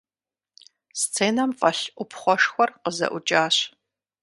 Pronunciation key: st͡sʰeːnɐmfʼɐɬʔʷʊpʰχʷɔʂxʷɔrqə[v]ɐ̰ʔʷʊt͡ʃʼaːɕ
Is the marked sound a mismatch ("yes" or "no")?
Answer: yes